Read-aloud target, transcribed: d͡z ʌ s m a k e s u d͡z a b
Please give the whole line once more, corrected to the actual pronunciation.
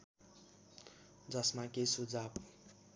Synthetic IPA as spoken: d͡z ʌ s m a k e s u d͡z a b